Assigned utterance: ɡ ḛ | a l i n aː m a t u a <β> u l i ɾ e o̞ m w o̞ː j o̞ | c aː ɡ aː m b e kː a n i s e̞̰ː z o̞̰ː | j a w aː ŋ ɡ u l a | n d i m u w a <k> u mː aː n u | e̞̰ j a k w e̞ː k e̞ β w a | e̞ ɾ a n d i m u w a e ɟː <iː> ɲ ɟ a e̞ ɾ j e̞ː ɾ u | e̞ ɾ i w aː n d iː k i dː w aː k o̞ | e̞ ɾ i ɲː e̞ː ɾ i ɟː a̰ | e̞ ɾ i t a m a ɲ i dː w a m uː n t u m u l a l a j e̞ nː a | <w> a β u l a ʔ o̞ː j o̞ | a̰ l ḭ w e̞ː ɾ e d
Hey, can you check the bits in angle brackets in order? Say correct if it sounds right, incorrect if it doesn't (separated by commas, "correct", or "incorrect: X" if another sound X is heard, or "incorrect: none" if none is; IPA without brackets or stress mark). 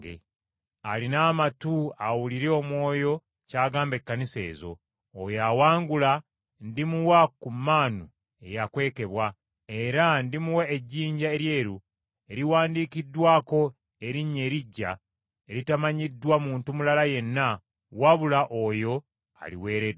incorrect: w, correct, correct, correct